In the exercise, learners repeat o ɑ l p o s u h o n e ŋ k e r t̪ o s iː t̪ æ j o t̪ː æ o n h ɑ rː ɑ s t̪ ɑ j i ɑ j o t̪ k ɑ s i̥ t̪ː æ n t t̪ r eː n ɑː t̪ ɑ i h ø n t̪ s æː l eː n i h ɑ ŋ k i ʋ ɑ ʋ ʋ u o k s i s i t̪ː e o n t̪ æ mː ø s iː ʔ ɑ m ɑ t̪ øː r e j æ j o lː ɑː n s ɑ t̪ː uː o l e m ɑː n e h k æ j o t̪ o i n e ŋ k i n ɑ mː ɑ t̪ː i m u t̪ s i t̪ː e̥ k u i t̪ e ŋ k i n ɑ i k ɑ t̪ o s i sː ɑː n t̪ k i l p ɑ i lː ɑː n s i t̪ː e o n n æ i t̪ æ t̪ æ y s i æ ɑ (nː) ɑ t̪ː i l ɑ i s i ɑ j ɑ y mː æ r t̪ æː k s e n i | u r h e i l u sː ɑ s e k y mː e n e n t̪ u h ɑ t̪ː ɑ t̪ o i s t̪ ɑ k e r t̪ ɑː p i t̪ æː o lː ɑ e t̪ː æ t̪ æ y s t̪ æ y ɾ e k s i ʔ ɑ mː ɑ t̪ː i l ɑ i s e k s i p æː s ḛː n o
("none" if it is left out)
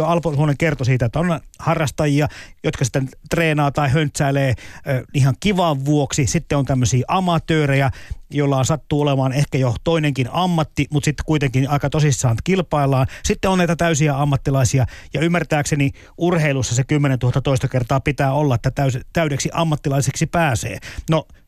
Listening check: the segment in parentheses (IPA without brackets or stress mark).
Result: mː